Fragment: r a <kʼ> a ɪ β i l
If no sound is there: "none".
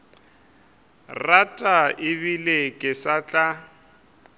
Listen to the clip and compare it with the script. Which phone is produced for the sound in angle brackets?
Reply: tʼ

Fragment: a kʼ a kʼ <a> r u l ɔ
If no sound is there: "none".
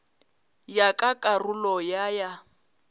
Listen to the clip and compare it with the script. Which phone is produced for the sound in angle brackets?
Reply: a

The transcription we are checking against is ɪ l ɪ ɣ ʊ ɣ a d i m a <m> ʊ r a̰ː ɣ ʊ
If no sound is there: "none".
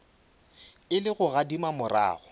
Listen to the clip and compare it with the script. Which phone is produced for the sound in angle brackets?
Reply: m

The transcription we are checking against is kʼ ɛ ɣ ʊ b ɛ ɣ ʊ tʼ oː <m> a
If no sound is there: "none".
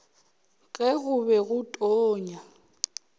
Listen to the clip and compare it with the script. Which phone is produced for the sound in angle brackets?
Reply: ɲ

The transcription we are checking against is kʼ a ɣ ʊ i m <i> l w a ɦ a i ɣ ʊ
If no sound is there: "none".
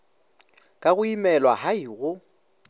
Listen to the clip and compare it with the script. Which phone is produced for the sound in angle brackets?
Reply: ɛ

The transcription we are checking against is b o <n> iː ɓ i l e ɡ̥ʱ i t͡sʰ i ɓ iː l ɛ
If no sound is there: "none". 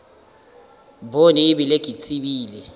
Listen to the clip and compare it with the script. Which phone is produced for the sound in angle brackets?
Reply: n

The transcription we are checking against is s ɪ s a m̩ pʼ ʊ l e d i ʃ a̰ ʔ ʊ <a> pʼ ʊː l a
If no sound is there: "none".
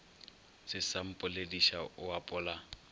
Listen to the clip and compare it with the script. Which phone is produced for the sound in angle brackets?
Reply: a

